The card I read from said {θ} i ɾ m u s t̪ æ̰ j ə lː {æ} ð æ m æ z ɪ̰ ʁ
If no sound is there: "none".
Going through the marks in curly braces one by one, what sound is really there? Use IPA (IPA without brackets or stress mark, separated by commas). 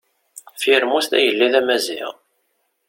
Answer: f, i